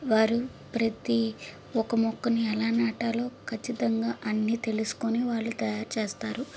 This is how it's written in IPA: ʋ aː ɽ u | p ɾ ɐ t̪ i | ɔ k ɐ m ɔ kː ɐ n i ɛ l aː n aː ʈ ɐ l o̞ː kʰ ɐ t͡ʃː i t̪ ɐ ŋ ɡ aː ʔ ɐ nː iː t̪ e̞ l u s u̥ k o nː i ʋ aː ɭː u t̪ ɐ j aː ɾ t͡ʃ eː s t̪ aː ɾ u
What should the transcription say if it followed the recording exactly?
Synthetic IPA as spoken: ʋ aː ɾ u | p ɾ ɐ t̪ i | ɔ k ɐ m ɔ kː ɐ n i ɛ l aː n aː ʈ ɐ l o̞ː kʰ ɐ t͡ʃː i t̪ ɐ ŋ ɡ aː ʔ ɐ nː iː t̪ e̞ l u s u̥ k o n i ʋ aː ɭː u t̪ ɐ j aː ɾ t͡ʃ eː s t̪ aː ɾ u